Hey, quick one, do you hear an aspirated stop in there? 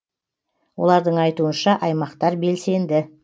no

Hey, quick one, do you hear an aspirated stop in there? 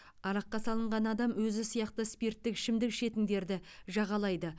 no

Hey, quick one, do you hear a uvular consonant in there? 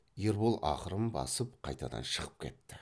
yes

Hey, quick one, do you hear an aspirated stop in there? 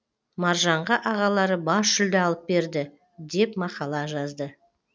no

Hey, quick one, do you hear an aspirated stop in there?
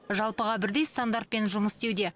no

